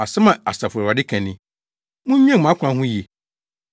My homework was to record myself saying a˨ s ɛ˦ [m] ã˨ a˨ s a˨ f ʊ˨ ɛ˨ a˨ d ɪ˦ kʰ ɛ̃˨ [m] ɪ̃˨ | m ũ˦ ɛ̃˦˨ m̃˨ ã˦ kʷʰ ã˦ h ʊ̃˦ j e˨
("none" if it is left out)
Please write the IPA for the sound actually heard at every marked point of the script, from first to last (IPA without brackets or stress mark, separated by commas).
m, n